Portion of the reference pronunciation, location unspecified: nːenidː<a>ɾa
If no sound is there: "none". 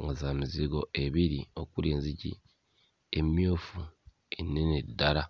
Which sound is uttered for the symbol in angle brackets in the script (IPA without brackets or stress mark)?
a